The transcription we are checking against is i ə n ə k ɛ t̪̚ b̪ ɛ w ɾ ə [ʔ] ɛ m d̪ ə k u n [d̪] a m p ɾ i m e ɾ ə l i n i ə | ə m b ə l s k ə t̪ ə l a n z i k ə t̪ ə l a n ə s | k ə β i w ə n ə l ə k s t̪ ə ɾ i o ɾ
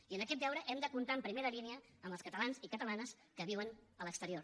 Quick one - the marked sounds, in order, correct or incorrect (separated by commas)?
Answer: correct, incorrect